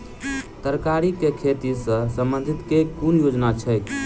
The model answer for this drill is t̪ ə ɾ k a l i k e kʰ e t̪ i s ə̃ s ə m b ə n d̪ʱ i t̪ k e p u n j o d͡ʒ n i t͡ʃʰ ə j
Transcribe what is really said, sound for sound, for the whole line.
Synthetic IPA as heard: t̪ ə ɾ k a ɾ i k e kʰ e t̪ i s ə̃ s ə m b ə n d̪ʱ i t̪ k e k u n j o d͡ʒ n a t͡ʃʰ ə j